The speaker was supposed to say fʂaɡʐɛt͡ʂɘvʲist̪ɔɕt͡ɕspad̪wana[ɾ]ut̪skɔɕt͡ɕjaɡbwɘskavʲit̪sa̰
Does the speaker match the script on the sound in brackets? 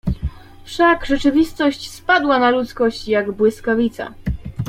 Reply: no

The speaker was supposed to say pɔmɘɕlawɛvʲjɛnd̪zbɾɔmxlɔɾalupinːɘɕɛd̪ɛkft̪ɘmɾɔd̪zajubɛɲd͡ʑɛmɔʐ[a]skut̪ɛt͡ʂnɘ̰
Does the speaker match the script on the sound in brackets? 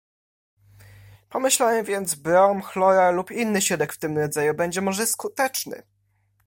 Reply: no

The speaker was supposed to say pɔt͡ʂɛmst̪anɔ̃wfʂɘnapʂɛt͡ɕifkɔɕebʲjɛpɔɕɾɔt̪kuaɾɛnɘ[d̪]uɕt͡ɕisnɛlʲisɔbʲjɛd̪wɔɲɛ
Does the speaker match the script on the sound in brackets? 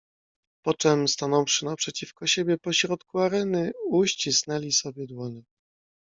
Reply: no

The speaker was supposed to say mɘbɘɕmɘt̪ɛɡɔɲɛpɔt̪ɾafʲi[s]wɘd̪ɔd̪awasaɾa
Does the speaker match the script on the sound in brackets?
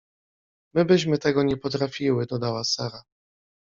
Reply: no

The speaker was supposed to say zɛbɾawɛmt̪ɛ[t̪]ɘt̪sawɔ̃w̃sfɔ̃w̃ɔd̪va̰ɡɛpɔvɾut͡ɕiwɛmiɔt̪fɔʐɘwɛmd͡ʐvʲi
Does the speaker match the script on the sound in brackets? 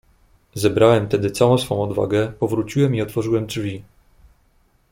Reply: no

